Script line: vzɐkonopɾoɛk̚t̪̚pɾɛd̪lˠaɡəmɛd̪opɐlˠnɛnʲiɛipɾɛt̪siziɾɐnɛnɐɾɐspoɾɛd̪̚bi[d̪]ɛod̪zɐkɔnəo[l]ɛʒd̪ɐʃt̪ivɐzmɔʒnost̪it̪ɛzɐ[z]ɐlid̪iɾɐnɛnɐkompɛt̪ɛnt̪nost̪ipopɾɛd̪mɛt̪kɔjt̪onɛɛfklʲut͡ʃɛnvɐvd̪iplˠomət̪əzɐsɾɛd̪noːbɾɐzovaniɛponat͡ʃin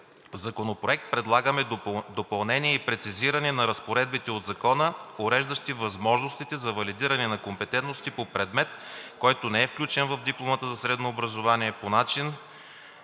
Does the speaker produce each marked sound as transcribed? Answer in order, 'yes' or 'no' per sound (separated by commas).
no, no, no